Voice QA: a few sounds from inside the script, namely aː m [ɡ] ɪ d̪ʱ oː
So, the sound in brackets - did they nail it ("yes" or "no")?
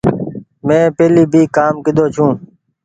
no